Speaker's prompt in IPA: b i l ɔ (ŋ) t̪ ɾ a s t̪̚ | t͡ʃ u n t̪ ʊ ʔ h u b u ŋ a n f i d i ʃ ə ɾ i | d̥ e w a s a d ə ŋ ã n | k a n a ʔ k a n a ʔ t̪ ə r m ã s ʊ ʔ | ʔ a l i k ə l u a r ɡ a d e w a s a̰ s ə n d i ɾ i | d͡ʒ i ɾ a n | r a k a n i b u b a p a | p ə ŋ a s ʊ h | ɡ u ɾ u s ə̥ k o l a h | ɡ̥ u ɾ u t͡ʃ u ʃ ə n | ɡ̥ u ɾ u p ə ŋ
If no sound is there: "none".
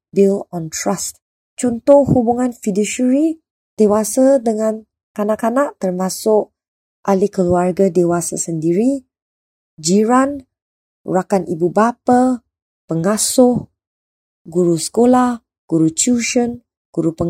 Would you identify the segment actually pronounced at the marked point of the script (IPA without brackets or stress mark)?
n